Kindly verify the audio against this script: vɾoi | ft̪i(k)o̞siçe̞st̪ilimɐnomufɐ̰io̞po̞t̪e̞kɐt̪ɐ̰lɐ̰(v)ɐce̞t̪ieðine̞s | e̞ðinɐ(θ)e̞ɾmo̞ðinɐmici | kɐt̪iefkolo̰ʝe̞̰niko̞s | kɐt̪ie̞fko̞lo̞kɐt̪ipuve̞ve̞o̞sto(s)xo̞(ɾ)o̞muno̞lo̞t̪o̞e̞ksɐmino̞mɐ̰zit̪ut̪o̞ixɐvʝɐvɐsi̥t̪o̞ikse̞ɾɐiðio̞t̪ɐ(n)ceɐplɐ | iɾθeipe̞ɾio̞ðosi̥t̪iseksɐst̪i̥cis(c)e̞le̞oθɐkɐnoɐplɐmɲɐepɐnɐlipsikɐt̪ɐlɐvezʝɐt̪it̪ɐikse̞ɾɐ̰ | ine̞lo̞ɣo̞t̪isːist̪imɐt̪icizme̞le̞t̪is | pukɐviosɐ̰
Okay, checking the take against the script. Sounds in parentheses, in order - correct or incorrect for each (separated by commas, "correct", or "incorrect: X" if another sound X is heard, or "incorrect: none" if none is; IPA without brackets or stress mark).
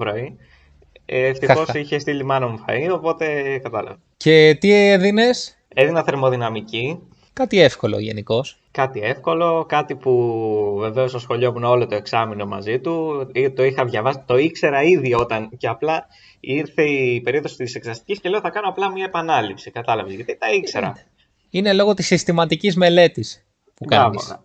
incorrect: x, correct, correct, correct, incorrect: ʎ, correct, correct